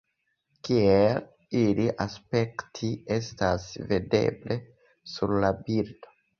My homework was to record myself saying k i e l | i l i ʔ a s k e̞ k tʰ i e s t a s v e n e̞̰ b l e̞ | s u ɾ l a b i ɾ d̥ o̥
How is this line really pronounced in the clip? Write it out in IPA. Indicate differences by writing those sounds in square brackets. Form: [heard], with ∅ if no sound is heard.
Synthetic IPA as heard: k i e l | i l i ʔ a s [p] e̞ k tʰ i e s t a s v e [d] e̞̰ b l e̞ | s u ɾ l a b i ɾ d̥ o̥